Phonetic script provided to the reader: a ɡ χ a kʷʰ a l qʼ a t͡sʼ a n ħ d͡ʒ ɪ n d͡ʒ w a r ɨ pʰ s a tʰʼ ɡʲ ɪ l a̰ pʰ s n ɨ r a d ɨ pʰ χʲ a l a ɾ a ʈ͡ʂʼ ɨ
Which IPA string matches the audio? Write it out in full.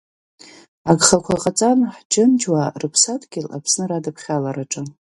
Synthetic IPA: a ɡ χ a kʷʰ a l qʼ a t͡sʼ a n ħ d͡ʒ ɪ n d͡ʒ w a r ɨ pʰ s a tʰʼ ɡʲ ɪ l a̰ pʰ s n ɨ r a d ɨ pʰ χʲ a l a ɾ a ʈ͡ʂʼ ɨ